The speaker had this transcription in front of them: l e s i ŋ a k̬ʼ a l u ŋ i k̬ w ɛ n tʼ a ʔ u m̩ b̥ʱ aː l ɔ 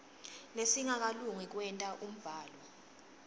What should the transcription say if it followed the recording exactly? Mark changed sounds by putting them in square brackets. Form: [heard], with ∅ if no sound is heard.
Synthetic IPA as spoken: l e s i ŋ a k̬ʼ a l u ŋ i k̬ w ɛ n tʼ a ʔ u m̩ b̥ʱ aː l ɔ